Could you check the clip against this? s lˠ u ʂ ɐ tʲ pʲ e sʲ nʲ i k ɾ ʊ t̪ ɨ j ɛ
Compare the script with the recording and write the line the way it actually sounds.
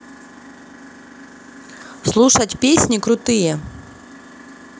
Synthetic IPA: s lˠ u ʂ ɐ tʲ pʲ e sʲ nʲ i k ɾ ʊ t̪ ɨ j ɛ